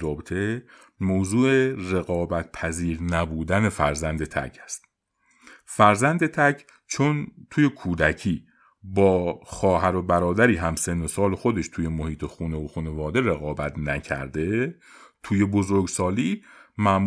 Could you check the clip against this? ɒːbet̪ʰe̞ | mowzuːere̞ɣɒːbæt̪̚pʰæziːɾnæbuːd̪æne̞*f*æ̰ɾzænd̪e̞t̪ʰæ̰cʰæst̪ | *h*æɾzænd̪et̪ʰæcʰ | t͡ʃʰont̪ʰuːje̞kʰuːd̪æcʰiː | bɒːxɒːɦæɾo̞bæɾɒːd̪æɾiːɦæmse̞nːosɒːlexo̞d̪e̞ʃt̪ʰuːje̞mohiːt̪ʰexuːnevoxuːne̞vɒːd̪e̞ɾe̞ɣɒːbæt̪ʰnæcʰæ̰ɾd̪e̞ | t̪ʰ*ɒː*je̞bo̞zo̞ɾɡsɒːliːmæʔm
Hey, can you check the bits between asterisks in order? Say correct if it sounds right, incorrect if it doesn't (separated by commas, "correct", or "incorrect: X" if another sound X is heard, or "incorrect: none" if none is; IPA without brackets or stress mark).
correct, incorrect: f, incorrect: uː